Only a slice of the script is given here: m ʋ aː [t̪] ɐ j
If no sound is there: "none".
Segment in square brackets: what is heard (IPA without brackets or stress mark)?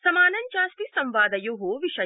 d̪